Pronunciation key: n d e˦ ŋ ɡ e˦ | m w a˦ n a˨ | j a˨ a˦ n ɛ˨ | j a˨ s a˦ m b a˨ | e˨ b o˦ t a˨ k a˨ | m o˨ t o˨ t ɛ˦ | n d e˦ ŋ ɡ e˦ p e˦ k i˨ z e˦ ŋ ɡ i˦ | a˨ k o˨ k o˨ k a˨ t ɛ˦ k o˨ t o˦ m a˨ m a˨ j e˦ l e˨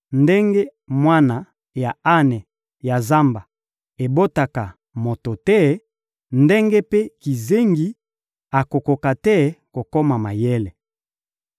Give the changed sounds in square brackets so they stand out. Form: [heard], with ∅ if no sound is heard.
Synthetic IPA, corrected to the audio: n d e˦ ŋ ɡ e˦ | m w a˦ n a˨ | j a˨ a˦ n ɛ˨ | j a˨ [z] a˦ m b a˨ | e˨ b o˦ t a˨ k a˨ | m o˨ t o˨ t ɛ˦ | n d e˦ ŋ ɡ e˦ p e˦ k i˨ z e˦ ŋ ɡ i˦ | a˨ k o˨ k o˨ k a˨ t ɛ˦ k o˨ [k] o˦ m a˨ m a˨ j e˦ l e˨